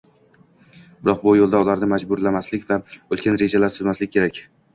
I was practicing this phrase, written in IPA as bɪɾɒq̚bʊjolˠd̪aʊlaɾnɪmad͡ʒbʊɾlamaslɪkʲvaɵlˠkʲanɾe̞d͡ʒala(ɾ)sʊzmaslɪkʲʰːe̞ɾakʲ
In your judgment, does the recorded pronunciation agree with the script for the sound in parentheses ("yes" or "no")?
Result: yes